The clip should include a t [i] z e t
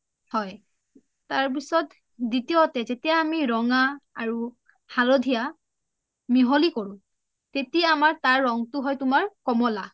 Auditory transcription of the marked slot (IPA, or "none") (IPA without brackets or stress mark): ɛ